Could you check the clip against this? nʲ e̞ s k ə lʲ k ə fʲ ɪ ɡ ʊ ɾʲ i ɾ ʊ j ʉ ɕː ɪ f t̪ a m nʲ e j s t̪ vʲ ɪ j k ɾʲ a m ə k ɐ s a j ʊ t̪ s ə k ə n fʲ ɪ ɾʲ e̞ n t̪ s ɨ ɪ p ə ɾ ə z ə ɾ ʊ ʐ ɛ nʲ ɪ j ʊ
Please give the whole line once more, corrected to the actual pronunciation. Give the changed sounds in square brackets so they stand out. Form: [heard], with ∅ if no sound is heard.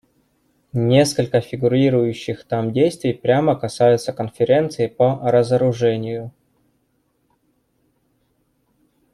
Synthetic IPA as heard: nʲ e̞ s k ə lʲ k ə fʲ ɪ ɡ ʊ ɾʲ i ɾ ʊ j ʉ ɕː ɪ [x] t̪ a m [dʲ] e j s t̪ vʲ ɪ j [p] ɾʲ a m ə k ɐ s a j ʊ t̪ s ə k ə n fʲ ɪ ɾʲ e̞ n t̪ s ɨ ɪ p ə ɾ ə z ə ɾ ʊ ʐ ɛ nʲ ɪ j ʊ